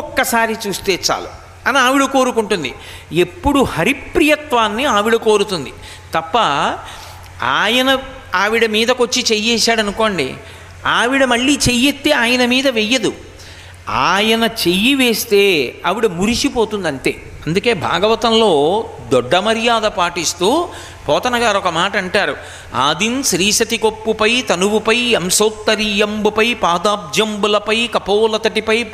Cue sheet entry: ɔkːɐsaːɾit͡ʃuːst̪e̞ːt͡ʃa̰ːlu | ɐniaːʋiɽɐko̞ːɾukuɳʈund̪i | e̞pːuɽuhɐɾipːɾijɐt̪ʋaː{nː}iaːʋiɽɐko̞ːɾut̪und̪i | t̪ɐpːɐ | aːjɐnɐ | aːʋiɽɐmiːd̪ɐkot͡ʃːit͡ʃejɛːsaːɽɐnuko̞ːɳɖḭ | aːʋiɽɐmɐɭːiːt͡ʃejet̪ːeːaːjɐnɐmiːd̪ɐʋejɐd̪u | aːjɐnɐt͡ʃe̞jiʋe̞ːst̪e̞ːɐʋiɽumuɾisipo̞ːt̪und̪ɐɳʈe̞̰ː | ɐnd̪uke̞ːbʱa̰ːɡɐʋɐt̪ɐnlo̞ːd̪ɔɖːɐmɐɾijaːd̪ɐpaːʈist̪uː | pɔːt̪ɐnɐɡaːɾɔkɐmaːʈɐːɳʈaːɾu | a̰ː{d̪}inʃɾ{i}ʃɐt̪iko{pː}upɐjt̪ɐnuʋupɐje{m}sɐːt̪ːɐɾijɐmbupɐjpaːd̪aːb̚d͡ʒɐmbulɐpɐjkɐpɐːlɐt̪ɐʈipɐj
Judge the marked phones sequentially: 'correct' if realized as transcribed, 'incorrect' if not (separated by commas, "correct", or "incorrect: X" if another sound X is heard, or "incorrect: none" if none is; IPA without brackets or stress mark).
correct, correct, incorrect: iː, correct, correct